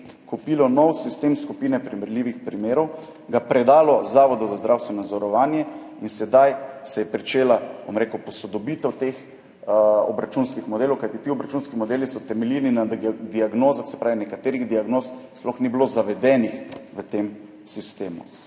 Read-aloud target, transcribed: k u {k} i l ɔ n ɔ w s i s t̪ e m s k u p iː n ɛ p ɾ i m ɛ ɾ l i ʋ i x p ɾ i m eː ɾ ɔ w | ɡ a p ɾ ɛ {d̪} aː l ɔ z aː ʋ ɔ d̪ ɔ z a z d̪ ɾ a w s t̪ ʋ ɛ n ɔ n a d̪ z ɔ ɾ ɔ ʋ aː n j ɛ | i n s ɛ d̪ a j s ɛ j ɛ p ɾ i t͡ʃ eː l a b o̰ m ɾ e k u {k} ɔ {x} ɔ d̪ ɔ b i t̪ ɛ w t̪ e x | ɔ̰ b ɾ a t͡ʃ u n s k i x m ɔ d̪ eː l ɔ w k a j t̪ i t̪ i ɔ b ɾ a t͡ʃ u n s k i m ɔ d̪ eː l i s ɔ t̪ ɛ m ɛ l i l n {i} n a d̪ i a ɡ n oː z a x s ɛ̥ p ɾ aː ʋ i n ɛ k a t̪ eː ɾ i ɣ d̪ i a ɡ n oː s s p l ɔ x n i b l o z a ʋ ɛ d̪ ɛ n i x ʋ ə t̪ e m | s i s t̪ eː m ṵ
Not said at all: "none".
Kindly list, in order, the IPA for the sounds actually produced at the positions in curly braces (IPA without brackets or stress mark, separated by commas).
p, d̪, p, s, i